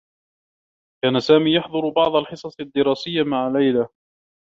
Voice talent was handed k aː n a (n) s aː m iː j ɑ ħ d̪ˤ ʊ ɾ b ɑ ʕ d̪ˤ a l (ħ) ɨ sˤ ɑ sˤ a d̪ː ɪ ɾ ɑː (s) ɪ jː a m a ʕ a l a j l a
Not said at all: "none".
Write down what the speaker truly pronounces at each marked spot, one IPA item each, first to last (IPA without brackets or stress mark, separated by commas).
none, ħ, s